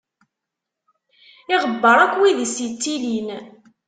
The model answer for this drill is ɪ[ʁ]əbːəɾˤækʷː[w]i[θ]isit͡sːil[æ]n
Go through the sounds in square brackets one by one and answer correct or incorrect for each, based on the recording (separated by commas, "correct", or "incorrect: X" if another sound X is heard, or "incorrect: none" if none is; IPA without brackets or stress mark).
correct, correct, incorrect: ð, incorrect: i